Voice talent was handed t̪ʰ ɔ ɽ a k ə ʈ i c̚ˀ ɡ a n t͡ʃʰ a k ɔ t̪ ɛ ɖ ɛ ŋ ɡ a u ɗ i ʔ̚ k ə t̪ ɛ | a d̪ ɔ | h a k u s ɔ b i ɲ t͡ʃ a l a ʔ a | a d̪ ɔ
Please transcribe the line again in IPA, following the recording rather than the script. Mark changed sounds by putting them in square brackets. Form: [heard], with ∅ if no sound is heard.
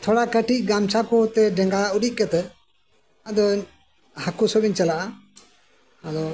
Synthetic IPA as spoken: t̪ʰ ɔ ɽ a k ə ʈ i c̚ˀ ɡ a [m] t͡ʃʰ a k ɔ t̪ ɛ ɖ ɛ ŋ ɡ a u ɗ i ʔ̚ k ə t̪ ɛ | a d̪ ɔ | h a k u s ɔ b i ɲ t͡ʃ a l a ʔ a | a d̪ ɔ